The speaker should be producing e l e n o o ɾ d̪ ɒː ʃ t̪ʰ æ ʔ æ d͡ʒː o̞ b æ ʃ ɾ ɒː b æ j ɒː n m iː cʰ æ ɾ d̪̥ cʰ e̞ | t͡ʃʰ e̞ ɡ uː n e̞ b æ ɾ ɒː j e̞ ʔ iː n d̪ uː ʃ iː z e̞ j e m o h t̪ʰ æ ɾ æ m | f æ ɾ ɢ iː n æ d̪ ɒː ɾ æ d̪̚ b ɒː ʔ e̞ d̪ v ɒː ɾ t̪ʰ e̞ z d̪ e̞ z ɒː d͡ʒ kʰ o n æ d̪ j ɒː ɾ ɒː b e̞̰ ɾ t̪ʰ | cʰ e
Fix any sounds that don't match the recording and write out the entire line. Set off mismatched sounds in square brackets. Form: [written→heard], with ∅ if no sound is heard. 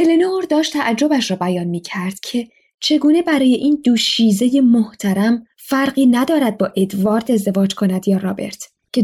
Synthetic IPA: e l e n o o ɾ d̪ ɒː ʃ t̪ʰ æ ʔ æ d͡ʒː o̞ b æ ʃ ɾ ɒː b æ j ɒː n m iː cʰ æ ɾ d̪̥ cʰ e̞ | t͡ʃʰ e̞ ɡ uː n e̞ b æ ɾ ɒː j e̞ ʔ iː n d̪ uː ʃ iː z e̞ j e m o h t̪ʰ æ ɾ æ m | f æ ɾ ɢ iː n æ d̪ ɒː ɾ æ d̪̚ b ɒː ʔ e̞ d̪ v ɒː ɾ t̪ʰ e̞ z d̪ e̞ [z→v] ɒː d͡ʒ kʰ o n æ d̪ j ɒː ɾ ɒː b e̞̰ ɾ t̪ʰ | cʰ e